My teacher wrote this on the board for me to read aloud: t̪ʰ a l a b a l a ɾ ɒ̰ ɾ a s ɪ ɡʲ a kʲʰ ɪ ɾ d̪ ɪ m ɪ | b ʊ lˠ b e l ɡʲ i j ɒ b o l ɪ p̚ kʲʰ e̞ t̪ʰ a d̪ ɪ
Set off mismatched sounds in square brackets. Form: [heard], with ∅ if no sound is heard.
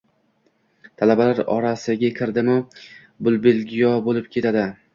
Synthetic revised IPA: t̪ʰ a l a b a l a ɾ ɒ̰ ɾ a s ɪ ɡʲ a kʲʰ ɪ ɾ d̪ ɪ m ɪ | b ʊ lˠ b e l ɡʲ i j ɒ b o l ɪ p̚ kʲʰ e̞ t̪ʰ a d̪ ɪ